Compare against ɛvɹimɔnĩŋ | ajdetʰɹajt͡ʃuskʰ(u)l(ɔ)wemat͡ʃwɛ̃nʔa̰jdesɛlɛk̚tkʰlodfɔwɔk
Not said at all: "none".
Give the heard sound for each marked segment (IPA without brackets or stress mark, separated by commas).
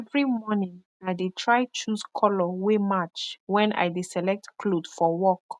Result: ɔ, ɔ